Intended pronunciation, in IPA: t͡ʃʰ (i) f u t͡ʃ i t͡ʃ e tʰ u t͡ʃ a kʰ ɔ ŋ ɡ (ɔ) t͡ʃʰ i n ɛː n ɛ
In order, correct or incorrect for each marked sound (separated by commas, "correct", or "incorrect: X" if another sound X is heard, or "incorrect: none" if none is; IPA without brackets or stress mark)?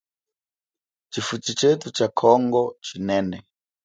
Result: correct, correct